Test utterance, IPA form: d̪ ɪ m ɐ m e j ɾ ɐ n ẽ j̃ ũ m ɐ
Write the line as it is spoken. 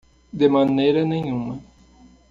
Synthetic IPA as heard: d̪ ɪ m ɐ n e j ɾ ɐ n ẽ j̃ ũ m ɐ